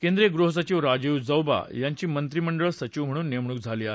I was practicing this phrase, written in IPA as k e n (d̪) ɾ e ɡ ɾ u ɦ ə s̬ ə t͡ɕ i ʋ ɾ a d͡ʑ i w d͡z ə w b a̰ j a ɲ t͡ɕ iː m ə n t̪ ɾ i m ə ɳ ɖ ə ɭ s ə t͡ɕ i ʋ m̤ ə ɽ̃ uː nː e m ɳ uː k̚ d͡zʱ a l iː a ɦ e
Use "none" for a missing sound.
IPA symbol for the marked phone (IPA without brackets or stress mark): d̪